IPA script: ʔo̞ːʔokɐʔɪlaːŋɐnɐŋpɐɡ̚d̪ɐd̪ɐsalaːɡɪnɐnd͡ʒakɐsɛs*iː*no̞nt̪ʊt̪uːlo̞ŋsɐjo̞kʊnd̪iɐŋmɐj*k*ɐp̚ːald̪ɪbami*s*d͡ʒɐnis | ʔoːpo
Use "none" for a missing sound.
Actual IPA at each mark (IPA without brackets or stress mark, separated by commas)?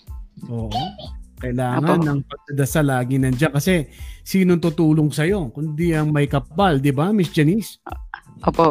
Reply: iː, k, s